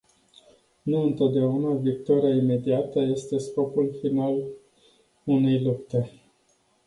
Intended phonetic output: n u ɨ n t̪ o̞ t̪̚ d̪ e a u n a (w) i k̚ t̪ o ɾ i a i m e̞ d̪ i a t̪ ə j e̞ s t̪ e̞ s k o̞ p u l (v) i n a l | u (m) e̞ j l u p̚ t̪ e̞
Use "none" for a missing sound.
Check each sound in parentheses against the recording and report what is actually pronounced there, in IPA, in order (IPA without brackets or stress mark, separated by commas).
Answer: v, f, n